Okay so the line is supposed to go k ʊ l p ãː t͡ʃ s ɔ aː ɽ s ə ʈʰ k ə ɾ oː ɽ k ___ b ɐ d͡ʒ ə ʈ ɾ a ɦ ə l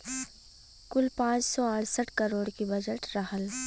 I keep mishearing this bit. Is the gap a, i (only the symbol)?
i